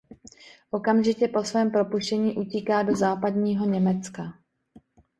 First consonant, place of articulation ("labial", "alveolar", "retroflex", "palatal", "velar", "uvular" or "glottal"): glottal